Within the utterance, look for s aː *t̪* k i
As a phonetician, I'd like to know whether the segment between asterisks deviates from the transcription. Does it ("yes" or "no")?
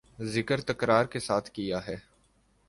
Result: yes